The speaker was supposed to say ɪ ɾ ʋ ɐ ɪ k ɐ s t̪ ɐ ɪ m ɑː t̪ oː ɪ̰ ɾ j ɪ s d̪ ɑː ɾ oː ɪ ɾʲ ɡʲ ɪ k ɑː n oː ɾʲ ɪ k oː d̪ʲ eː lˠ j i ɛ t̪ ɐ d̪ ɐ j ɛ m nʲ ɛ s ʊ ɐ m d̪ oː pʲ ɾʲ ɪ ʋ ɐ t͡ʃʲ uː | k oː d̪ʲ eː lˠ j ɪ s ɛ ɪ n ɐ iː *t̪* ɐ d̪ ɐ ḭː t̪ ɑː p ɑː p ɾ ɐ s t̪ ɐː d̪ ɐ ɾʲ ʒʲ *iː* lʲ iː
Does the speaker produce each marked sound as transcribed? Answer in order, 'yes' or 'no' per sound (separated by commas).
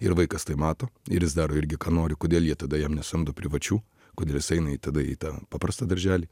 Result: yes, no